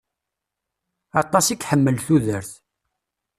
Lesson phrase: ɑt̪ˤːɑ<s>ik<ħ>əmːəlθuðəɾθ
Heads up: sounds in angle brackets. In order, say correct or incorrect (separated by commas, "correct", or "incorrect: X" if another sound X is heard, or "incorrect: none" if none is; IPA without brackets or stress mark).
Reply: correct, correct